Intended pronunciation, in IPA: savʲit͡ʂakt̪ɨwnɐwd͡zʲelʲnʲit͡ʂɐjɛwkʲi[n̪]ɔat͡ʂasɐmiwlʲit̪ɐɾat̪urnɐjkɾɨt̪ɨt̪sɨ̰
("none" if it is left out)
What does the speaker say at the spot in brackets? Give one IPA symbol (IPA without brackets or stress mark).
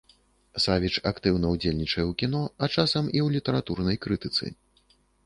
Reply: n̪